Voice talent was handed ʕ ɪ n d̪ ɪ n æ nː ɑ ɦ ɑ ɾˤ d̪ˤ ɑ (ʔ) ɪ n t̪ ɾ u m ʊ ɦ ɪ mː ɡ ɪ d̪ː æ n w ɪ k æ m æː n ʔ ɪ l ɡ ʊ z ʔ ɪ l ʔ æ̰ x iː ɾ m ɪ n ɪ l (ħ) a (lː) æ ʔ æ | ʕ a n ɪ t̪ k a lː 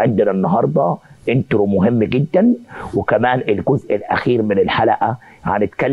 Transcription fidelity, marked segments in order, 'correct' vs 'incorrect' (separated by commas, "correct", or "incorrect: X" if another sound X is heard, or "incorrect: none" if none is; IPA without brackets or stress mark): correct, correct, incorrect: l